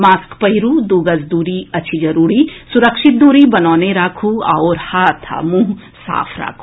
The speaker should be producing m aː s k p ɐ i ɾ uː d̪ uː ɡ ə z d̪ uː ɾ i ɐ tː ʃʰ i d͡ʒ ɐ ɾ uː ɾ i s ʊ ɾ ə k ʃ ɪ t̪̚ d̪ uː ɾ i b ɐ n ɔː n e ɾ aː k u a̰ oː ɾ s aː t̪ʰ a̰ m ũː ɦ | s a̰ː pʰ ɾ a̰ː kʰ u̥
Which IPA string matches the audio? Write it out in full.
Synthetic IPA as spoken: m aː s k p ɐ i ɾ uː d̪ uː ɡ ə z d̪ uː ɾ i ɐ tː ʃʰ i d͡ʒ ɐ ɾ uː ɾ i s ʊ ɾ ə k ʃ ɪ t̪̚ d̪ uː ɾ i b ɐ n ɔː n e ɾ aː kʰ u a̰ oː ɾ h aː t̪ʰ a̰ m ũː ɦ | s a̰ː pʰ ɾ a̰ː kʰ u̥